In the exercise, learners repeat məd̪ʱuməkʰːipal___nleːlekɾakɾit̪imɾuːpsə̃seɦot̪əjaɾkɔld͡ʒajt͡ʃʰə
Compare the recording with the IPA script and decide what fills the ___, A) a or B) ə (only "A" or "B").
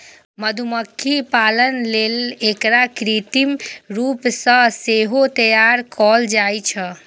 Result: B